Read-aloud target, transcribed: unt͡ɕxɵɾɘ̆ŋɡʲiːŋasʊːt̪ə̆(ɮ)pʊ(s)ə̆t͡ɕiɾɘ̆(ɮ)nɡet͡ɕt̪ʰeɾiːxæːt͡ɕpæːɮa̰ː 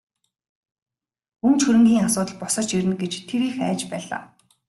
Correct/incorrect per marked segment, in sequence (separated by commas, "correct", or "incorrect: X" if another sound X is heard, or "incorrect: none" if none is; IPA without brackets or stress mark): correct, correct, incorrect: none